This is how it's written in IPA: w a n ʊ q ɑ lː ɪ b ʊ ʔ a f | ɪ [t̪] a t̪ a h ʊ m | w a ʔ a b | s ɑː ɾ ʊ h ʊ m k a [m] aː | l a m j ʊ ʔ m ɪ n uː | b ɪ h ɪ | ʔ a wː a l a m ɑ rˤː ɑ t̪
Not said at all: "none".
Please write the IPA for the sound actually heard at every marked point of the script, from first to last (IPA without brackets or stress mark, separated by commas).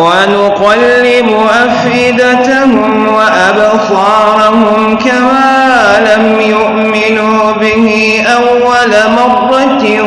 d̪, m